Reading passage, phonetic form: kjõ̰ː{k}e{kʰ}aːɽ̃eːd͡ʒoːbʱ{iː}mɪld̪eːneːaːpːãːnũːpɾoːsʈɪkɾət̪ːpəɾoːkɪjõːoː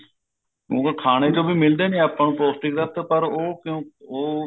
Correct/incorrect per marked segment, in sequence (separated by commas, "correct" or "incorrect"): correct, correct, correct